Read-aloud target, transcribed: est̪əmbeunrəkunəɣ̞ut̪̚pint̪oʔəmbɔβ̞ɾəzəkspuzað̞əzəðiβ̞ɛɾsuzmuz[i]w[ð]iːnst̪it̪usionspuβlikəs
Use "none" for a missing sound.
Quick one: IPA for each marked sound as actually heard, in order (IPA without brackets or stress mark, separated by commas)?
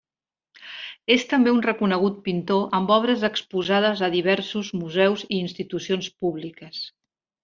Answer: ɛ, z